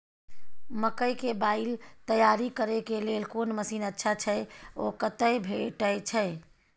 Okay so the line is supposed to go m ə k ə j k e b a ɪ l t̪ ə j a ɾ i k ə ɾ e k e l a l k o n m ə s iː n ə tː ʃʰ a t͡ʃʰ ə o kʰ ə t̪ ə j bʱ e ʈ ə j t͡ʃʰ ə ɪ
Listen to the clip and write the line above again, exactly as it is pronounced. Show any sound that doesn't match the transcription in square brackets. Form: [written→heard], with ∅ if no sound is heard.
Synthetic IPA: m ə k ə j k e b a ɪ l t̪ ə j a ɾ i k ə ɾ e k e l [a→e] l k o n m ə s iː n ə tː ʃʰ a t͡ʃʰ ə o [kʰ→k] ə t̪ ə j bʱ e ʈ ə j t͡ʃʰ ə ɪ